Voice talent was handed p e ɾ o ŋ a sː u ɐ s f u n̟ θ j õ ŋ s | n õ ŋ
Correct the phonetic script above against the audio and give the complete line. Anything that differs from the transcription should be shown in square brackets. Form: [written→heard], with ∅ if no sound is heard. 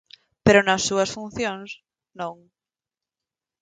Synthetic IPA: p e ɾ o [ŋ→n] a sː u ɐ s f u n̟ θ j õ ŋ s | n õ ŋ